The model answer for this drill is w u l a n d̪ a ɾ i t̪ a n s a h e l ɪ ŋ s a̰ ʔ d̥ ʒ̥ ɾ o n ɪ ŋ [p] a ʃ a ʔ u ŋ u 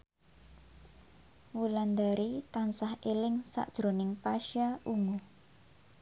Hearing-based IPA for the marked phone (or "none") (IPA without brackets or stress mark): p